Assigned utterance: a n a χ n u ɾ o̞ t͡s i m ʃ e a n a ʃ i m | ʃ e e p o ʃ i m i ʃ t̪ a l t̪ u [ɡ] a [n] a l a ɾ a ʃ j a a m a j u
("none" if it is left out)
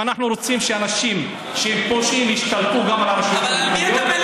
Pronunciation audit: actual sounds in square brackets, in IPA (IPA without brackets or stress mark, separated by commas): ɡ, m